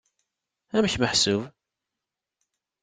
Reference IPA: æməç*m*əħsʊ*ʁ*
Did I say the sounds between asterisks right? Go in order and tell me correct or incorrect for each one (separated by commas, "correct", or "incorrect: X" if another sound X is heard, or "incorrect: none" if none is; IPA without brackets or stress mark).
correct, incorrect: v